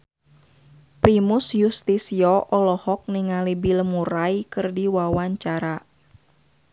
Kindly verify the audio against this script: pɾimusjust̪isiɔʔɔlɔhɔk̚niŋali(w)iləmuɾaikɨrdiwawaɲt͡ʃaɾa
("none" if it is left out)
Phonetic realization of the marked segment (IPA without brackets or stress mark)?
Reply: b